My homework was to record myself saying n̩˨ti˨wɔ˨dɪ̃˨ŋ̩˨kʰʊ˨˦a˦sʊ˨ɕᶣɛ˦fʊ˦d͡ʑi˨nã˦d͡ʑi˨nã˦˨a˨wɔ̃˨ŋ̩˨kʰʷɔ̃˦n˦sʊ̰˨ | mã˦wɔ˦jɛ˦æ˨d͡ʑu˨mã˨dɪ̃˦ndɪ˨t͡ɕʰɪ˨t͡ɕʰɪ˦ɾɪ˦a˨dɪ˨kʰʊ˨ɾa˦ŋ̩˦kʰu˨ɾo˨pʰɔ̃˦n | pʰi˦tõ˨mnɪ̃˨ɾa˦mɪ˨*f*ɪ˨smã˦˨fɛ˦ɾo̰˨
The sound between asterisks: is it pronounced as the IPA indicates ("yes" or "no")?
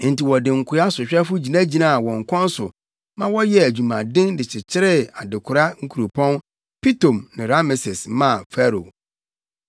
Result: no